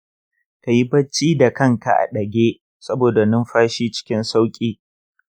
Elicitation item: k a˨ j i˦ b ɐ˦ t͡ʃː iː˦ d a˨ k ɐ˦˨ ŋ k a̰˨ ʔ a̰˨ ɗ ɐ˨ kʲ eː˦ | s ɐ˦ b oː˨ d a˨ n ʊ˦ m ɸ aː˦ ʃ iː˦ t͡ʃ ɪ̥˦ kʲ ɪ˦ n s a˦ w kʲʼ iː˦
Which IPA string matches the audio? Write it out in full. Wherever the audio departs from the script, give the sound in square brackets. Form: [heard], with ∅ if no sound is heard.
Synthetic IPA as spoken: k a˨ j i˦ b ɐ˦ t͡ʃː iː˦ d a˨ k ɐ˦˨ ŋ k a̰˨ ʔ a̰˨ ɗ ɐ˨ [ɡʲ] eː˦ | s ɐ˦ b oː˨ d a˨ n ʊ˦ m ɸ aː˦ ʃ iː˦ t͡ʃ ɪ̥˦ kʲ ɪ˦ n s a˦ w kʲʼ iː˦